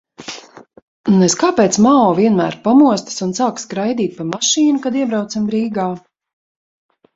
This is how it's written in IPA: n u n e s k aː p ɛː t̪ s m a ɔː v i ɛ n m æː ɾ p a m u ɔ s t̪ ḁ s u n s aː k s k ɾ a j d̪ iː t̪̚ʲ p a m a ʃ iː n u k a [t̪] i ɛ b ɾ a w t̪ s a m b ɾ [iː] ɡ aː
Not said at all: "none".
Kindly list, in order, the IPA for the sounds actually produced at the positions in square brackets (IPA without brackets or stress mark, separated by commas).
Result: d̪, iː